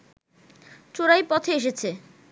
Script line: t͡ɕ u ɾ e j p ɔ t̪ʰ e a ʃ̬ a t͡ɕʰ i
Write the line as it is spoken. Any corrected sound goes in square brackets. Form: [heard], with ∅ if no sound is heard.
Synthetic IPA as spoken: t͡ɕ [o] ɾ [a] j p ɔ t̪ʰ e [e] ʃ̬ [e] t͡ɕʰ [e]